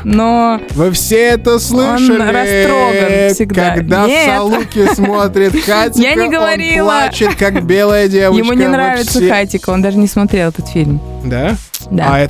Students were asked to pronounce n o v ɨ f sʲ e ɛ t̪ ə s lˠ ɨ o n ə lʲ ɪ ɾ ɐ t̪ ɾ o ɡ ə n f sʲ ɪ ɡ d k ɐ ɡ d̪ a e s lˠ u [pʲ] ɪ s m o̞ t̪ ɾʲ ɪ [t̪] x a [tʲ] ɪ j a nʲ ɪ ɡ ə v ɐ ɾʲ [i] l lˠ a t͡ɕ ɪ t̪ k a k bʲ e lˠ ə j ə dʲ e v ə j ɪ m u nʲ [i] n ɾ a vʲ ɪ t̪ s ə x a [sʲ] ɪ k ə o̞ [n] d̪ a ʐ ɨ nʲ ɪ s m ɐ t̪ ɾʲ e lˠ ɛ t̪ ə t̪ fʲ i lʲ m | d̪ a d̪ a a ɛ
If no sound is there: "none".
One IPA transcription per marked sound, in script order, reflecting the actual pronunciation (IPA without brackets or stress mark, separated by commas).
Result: kʲ, t̪, tʲ, i, ɪ, tʲ, n